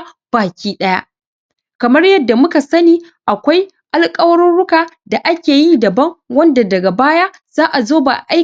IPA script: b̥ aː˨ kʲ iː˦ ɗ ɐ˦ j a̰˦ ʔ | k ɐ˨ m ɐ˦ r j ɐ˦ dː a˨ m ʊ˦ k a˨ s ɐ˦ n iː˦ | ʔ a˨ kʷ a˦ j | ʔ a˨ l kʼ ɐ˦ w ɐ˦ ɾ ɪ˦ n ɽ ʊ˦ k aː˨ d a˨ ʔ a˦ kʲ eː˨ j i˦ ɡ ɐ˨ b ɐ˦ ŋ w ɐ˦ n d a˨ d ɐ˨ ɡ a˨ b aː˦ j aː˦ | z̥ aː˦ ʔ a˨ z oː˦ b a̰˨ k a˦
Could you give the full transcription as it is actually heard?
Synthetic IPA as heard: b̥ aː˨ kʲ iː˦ ɗ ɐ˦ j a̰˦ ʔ | k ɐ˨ m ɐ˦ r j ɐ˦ dː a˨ m ʊ˦ k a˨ s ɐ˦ n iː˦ | ʔ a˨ kʷ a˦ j | ʔ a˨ l kʼ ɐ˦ w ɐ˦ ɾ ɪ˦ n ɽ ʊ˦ k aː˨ d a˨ ʔ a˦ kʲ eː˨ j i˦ d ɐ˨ b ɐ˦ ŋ w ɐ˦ n d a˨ d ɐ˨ ɡ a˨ b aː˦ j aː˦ | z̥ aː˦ ʔ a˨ z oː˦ b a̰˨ ʔ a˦